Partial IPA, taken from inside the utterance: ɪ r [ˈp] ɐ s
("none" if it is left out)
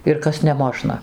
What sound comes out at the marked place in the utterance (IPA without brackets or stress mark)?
k